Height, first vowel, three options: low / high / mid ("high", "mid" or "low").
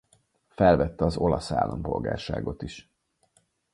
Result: mid